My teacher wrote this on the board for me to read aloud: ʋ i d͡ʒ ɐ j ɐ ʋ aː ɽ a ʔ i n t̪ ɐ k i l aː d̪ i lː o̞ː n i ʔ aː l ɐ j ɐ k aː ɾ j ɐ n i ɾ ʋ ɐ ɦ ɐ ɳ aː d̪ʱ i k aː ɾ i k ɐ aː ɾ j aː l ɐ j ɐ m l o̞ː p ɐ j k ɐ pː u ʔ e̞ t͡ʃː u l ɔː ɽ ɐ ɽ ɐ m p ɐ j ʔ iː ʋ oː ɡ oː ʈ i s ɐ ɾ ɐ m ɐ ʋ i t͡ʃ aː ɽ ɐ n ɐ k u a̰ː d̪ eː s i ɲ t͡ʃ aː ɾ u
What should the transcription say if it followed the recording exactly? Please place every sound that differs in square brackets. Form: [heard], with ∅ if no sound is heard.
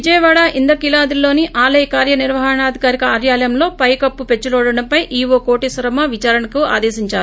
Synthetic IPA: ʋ i d͡ʒ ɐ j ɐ ʋ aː ɽ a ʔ i n [d̪] ɐ k i l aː d̪ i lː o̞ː n i ʔ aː l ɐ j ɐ k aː ɾ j ɐ n i ɾ ʋ ɐ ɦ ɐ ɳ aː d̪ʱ i k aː ɾ i k ɐ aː ɾ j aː l ɐ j ɐ m l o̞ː p ɐ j k ɐ pː u [p] e̞ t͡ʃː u l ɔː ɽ ɐ ɽ ɐ m p ɐ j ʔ iː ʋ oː [k] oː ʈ i s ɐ ɾ ɐ m ɐ ʋ i t͡ʃ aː [ɾ] ɐ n ɐ k u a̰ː d̪ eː s i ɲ t͡ʃ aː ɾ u